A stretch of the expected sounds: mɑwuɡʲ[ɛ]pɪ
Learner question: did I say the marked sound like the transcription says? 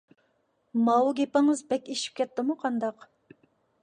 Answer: no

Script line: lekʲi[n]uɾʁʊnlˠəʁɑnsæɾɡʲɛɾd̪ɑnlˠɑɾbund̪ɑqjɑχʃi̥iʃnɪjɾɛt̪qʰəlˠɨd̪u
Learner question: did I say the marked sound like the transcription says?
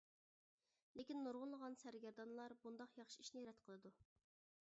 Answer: no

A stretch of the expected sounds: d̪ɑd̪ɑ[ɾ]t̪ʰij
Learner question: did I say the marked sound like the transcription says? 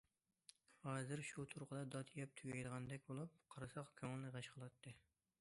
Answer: no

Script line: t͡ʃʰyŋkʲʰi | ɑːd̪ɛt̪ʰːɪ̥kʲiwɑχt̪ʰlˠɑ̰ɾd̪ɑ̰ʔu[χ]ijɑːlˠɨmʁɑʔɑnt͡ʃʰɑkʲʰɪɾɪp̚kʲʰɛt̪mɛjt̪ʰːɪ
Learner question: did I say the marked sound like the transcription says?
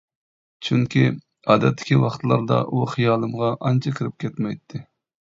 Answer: yes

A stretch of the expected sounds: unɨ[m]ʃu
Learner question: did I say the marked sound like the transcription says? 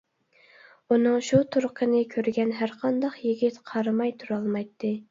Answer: no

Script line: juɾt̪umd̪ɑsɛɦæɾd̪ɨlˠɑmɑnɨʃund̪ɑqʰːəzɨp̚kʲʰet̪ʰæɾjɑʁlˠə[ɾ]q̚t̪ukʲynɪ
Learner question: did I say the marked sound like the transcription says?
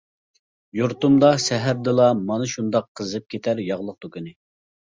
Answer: no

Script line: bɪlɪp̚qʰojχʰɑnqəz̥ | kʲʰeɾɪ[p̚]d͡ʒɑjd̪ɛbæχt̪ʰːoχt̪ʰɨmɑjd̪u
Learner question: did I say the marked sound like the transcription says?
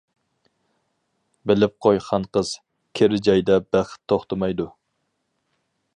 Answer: no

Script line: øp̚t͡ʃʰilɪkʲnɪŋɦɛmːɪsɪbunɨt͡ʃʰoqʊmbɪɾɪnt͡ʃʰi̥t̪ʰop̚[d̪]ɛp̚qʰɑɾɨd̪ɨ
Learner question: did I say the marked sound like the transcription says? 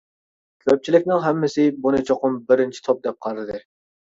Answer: yes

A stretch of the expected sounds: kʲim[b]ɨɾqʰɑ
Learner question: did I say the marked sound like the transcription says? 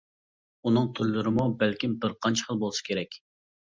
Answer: yes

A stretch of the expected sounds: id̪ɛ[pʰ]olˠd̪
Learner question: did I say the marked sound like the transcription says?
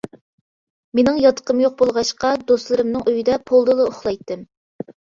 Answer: yes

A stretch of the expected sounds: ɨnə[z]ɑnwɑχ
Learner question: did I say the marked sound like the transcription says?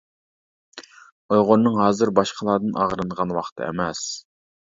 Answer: no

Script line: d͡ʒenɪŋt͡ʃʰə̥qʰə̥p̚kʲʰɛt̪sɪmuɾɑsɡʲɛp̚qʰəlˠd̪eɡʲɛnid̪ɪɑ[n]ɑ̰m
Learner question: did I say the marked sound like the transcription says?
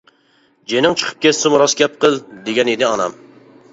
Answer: yes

